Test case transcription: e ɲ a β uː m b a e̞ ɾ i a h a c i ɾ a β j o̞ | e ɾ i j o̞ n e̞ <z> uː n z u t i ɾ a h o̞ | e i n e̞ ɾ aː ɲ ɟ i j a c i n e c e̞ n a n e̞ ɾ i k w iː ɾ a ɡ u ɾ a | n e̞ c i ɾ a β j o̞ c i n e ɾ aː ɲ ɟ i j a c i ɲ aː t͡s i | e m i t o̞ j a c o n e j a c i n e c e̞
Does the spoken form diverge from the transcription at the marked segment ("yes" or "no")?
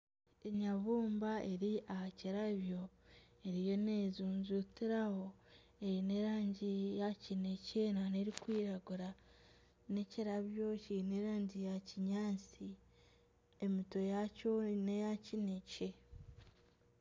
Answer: no